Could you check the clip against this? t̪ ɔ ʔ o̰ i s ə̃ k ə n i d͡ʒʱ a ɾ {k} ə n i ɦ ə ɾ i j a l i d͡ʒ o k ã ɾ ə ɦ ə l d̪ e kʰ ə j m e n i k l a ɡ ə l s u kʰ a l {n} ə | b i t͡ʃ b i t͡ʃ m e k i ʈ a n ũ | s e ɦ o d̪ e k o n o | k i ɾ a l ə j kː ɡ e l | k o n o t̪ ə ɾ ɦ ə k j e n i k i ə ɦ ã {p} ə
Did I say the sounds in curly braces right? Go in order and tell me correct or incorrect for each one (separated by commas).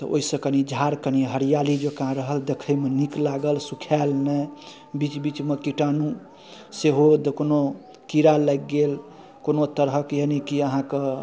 correct, correct, incorrect